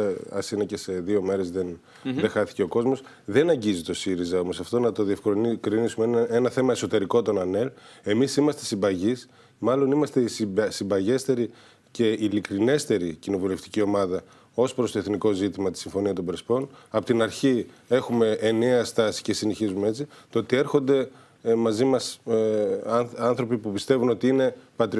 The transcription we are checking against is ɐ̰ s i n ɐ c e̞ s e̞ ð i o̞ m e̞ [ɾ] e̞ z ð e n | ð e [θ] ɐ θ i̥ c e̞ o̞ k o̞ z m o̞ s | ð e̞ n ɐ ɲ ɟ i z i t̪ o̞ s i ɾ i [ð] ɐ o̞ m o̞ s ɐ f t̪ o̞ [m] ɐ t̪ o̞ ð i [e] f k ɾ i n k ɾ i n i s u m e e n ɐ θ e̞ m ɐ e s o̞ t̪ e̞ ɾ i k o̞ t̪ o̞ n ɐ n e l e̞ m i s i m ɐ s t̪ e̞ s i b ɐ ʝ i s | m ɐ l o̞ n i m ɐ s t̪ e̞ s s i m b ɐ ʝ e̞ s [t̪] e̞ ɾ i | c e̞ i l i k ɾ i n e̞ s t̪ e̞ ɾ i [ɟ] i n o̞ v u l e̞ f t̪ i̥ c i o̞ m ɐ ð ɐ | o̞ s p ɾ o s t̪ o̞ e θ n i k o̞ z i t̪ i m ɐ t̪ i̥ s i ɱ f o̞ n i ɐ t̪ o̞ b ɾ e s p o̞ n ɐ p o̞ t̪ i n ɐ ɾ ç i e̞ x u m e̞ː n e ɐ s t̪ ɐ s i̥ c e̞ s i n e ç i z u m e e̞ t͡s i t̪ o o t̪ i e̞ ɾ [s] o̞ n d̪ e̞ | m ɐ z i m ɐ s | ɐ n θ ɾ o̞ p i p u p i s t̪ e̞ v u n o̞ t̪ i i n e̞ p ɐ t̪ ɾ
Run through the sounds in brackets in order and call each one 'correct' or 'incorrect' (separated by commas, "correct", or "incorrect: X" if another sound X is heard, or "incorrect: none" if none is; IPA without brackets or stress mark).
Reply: correct, incorrect: x, incorrect: z, incorrect: n, correct, correct, incorrect: c, incorrect: x